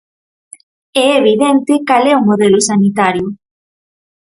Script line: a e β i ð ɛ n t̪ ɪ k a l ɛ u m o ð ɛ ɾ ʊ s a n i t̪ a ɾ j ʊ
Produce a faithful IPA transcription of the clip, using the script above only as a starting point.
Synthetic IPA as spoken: ɛ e β i ð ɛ n t̪ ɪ k a l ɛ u m o ð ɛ l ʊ s a n i t̪ a ɾ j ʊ